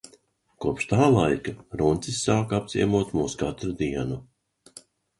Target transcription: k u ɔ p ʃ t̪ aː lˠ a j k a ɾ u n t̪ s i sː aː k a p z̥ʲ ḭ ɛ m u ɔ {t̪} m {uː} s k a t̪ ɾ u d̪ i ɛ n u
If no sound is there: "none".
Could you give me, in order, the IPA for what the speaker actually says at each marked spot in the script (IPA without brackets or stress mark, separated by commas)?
t̪, uː